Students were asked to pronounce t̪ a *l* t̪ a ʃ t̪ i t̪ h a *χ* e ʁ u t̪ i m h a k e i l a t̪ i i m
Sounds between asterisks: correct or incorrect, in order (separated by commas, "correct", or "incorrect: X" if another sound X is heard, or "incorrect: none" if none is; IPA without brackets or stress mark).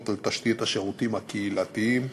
correct, incorrect: ʃ